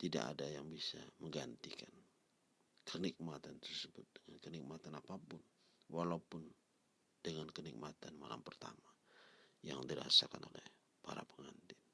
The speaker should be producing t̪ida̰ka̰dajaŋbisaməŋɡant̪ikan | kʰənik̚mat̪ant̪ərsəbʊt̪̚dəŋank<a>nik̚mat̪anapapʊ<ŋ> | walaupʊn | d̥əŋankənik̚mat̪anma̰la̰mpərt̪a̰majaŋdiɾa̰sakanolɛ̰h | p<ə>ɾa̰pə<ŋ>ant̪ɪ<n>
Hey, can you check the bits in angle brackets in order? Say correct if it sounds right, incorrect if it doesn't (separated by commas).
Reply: incorrect, incorrect, incorrect, correct, correct